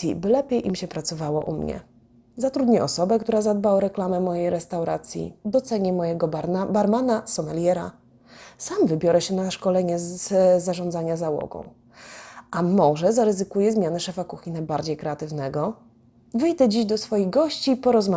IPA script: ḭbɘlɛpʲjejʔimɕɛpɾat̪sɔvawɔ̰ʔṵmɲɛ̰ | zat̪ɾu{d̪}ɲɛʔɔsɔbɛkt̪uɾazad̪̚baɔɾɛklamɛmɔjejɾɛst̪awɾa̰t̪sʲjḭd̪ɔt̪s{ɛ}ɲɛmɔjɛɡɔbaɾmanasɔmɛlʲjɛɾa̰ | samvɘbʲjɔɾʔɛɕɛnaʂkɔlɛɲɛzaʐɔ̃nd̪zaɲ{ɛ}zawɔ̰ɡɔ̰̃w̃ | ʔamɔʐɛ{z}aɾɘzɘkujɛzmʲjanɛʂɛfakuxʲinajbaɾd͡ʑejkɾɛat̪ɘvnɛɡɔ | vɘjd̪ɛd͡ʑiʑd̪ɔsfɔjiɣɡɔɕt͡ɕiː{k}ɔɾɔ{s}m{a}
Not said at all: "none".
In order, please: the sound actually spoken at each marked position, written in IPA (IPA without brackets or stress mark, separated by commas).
d̪, ɛ, a, z, p, z, a